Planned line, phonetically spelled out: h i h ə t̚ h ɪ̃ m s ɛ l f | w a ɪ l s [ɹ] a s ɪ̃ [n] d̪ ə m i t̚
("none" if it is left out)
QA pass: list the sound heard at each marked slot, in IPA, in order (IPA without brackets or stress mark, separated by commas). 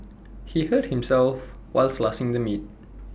l, ŋ